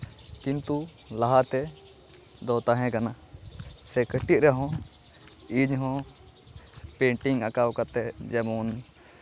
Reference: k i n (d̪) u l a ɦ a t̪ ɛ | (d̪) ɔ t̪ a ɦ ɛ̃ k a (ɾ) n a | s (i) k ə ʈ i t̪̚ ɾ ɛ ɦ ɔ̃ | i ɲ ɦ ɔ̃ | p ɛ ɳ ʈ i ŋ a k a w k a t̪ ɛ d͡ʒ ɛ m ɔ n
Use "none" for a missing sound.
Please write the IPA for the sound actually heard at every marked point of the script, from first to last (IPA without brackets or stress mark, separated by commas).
t̪, d̪, none, ɛ